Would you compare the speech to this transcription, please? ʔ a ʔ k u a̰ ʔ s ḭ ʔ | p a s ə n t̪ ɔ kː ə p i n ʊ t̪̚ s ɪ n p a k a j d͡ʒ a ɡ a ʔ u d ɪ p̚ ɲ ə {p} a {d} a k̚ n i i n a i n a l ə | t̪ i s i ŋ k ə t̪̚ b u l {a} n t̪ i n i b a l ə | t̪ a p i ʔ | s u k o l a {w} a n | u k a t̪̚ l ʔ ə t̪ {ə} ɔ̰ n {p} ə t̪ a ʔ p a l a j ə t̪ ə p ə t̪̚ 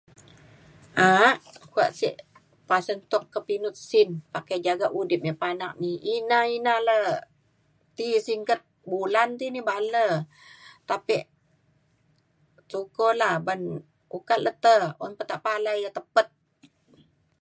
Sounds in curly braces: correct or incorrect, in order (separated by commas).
correct, incorrect, correct, incorrect, correct, correct